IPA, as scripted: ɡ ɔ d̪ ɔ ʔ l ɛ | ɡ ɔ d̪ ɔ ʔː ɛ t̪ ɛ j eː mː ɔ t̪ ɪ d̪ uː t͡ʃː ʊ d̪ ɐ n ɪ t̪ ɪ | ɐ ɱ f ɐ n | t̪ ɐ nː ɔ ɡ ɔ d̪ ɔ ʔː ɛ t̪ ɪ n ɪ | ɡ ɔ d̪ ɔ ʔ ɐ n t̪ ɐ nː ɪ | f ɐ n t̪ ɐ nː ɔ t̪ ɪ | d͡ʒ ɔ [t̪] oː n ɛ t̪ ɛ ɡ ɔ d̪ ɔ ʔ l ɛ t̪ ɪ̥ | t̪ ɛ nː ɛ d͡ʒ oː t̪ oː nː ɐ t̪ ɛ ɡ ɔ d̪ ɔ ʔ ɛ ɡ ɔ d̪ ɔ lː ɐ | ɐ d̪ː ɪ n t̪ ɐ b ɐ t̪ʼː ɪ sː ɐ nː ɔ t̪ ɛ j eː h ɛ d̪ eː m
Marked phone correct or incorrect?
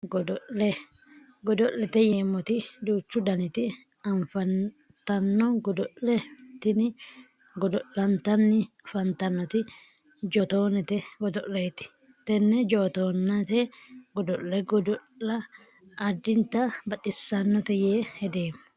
correct